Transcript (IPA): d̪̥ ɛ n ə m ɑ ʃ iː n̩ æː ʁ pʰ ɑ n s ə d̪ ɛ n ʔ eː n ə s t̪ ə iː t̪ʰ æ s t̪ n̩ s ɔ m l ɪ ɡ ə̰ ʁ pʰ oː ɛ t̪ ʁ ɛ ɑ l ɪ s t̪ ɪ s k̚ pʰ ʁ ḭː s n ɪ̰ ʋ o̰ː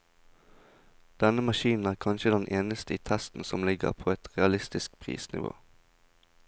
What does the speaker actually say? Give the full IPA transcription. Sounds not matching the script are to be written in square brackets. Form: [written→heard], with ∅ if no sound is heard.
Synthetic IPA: d̪̥ ɛ n ə m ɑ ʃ iː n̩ æː ʁ [pʰ→kʰ] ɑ n [s→ʃ] ə d̪ ɛ n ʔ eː n ə s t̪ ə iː t̪ʰ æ s t̪ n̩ s ɔ m l ɪ ɡ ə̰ ʁ pʰ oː ɛ t̪ ʁ ɛ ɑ l ɪ s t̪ ɪ s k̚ pʰ ʁ ḭː s n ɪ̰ ʋ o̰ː